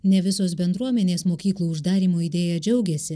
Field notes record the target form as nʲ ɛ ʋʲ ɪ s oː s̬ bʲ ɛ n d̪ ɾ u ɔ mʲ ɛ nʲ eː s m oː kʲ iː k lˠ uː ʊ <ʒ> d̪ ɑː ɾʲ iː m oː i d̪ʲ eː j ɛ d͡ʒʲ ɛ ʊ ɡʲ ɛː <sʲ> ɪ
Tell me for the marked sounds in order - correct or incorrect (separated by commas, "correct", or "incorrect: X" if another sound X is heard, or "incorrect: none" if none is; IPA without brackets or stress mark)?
correct, correct